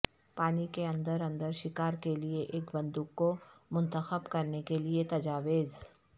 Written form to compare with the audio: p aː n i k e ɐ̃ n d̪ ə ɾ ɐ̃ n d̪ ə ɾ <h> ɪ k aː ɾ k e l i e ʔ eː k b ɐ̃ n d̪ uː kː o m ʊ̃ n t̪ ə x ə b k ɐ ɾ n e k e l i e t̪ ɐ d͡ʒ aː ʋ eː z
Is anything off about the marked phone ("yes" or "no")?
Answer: yes